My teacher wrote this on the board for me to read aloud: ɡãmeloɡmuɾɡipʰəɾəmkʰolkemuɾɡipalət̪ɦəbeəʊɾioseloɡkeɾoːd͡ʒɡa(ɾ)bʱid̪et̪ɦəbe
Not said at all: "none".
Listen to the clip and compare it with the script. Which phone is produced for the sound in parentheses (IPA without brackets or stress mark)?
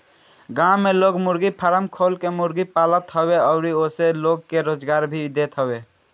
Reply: ɾ